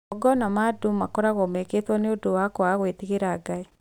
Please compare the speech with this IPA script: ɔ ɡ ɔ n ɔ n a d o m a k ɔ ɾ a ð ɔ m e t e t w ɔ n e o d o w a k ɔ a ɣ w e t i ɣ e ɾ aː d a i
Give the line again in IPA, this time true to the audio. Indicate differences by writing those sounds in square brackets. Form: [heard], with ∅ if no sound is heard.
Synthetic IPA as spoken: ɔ ɡ ɔ n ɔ [m] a d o m a k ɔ ɾ a [ɣ] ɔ m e [k] e t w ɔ n e o d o w a k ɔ a ɣ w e t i ɣ e ɾ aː [ɡ] a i